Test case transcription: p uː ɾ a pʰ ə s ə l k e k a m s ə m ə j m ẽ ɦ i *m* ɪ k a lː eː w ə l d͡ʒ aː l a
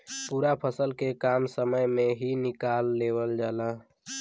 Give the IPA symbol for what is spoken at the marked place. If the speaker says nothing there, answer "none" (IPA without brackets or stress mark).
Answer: n